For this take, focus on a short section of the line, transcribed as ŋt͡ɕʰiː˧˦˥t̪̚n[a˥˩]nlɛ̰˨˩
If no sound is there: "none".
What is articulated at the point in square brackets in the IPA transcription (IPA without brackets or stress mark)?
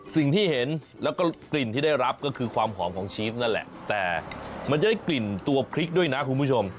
a˥˩